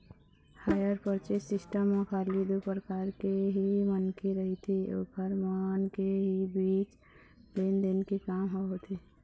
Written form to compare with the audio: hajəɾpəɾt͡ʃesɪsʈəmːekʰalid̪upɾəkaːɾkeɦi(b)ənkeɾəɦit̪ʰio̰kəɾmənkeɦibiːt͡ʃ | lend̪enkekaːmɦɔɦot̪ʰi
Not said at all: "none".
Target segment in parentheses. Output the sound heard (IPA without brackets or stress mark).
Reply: m